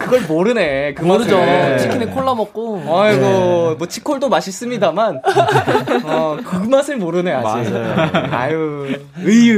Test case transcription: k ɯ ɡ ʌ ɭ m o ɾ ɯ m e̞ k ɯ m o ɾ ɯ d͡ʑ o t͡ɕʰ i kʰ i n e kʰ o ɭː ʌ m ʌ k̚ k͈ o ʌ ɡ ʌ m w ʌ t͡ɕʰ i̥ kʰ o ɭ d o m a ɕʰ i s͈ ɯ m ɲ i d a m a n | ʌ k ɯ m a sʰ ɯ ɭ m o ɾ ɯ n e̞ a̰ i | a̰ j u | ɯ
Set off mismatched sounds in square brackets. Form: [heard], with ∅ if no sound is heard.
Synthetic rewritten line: k ɯ ɡ ʌ ɭ m o ɾ ɯ [n] e̞ k ɯ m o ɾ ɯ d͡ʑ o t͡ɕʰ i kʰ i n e kʰ o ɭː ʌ m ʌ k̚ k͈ o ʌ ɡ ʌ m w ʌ t͡ɕʰ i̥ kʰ o ɭ d o m a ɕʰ i s͈ ɯ m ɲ i d a m a n | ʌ k ɯ m a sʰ ɯ ɭ m o ɾ ɯ n e̞ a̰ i | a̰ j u | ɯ